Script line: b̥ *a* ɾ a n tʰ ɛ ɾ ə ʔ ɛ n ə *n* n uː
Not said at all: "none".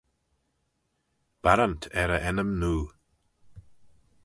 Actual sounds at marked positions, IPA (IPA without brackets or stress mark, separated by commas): a, m